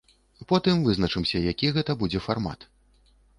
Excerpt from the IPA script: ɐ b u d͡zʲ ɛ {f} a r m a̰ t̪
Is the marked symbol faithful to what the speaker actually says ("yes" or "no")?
yes